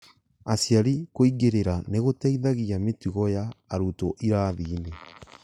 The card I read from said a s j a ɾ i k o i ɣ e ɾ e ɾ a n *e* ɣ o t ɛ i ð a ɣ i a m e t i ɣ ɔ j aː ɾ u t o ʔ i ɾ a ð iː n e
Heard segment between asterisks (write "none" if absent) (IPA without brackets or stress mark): e